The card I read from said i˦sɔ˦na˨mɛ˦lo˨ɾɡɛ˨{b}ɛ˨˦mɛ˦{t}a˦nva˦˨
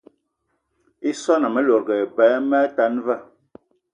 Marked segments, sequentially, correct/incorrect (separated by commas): correct, correct